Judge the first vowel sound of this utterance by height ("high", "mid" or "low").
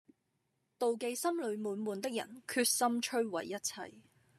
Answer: mid